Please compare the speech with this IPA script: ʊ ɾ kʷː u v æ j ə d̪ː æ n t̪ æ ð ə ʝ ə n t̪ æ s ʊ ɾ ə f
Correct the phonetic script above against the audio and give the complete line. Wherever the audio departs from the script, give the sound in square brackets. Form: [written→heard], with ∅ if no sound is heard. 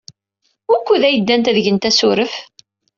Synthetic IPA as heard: ʊ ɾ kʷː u [v→ð] æ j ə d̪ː æ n t̪ æ ð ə ʝ ə n t̪ æ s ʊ ɾ ə f